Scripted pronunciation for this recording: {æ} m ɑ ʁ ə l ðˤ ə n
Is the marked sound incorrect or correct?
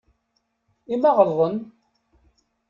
incorrect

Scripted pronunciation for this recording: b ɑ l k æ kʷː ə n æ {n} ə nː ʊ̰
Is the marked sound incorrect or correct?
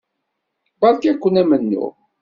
incorrect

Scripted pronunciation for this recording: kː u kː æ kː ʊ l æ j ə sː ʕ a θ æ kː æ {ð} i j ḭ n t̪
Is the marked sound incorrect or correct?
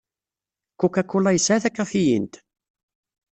incorrect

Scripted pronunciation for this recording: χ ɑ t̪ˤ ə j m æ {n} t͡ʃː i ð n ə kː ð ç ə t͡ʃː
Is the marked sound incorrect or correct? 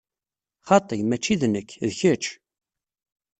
incorrect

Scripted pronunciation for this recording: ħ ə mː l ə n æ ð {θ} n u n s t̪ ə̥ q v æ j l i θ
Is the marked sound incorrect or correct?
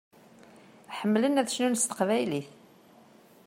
incorrect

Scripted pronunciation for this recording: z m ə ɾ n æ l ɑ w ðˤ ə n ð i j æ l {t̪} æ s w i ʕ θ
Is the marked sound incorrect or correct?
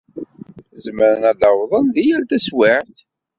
correct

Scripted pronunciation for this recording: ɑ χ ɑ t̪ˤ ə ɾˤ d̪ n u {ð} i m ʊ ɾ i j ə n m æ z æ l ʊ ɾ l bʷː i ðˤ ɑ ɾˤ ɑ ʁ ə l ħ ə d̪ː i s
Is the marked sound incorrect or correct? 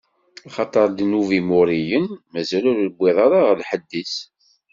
incorrect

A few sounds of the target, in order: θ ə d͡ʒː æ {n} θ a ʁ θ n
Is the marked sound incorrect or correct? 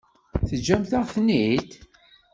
incorrect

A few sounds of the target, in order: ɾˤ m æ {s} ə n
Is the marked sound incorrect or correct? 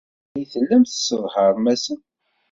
correct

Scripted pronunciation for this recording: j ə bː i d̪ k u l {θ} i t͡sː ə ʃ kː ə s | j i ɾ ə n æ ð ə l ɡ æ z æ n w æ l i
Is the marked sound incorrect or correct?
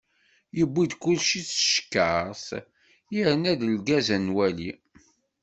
incorrect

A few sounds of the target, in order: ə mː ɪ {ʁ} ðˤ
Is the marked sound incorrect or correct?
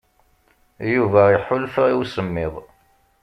incorrect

